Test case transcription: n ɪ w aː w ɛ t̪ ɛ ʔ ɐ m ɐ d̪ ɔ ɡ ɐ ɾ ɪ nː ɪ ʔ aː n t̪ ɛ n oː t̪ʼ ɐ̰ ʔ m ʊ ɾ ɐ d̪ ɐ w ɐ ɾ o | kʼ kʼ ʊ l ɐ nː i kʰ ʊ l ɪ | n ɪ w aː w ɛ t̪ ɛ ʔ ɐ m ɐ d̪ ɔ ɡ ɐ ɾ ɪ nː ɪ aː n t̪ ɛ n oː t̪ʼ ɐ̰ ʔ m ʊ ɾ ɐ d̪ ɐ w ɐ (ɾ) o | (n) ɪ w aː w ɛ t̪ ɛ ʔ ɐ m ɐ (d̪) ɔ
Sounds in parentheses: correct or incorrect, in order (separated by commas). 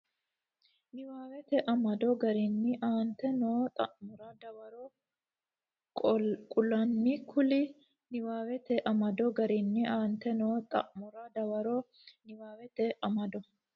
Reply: correct, correct, correct